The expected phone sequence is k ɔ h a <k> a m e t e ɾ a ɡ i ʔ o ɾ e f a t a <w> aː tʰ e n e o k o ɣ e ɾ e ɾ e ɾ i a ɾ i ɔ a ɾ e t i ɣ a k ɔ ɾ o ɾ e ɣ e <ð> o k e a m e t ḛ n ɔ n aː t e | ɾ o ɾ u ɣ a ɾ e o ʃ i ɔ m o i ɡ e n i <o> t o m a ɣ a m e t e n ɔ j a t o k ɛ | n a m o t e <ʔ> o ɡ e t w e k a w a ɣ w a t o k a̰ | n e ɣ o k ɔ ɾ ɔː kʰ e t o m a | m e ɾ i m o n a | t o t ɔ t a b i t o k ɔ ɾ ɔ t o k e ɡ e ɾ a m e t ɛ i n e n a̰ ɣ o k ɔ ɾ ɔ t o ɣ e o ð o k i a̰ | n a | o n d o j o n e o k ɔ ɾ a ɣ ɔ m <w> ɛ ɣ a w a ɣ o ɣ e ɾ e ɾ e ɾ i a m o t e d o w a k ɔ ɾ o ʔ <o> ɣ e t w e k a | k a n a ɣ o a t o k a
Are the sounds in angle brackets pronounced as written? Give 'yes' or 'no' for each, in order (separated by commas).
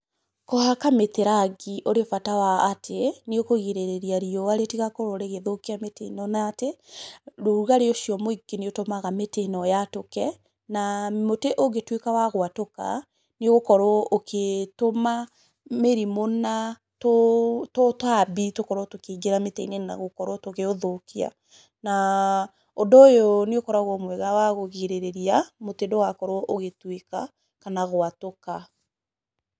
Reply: yes, yes, yes, yes, yes, yes, yes